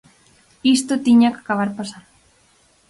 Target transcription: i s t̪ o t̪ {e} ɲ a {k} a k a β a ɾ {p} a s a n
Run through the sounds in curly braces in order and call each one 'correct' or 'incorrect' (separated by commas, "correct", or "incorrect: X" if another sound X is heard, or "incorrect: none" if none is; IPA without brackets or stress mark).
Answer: incorrect: i, correct, correct